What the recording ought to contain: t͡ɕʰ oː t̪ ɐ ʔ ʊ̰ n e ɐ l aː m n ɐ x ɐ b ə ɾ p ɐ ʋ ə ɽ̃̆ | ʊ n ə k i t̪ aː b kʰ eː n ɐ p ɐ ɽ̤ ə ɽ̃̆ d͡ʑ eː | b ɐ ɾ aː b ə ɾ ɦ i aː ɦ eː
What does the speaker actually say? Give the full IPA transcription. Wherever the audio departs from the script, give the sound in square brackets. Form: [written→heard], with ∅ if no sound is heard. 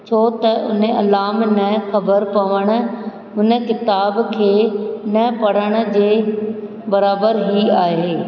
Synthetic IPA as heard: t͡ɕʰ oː t̪ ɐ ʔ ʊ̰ n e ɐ l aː m n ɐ x ɐ b ə ɾ p ɐ ʋ ə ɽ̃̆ | ʊ n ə k [i→ɪ] t̪ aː b kʰ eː n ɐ p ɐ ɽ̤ ə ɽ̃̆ d͡ʑ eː | b ɐ ɾ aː b ə ɾ ɦ i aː ɦ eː